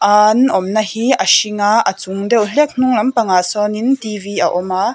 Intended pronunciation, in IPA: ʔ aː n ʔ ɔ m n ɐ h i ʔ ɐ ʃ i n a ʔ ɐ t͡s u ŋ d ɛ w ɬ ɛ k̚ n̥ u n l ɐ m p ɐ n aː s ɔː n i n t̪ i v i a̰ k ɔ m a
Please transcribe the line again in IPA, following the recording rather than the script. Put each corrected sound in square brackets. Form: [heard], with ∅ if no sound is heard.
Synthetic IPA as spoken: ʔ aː n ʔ ɔ m n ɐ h i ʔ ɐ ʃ i [ŋ] a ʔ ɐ t͡s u ŋ d ɛ w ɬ ɛ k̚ n̥ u [ŋ] l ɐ m p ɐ [ŋ] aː s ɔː n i n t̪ i v i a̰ [ʔ] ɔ m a